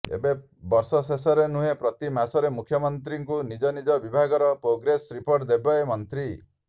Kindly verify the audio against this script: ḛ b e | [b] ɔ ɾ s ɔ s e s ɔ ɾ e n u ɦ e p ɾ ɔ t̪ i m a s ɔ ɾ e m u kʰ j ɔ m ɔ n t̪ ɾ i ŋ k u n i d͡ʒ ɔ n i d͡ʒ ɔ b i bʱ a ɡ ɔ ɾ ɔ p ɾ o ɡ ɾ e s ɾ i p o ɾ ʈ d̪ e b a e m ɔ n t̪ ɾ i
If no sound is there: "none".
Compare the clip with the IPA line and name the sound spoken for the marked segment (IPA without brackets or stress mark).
b